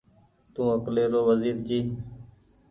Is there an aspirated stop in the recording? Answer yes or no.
no